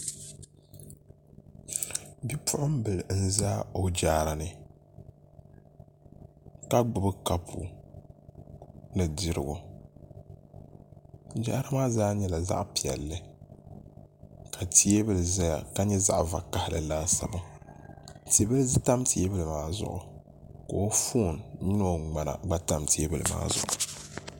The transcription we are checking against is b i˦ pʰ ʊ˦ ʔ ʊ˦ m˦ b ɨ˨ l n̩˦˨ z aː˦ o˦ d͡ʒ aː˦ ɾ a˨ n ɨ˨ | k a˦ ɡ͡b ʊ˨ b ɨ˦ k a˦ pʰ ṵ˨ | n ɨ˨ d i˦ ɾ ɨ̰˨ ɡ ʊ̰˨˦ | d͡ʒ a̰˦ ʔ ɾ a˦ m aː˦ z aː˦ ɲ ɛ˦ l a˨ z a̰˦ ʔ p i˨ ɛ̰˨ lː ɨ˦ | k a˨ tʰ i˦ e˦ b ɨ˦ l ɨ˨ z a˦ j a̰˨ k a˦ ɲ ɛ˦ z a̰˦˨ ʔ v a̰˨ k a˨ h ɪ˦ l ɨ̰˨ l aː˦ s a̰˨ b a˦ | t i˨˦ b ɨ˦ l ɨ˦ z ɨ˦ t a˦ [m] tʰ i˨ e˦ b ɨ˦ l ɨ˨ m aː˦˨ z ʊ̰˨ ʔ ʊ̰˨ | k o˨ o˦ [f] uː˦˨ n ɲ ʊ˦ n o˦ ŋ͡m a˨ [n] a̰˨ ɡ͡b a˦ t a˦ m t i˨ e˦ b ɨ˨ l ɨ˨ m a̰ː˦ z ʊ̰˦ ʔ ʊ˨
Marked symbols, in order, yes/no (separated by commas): yes, yes, yes